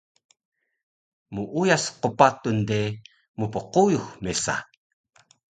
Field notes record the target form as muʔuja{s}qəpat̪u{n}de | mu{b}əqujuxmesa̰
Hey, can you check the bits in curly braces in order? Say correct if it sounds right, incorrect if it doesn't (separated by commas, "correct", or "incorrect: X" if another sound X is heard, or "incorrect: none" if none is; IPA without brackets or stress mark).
correct, correct, incorrect: p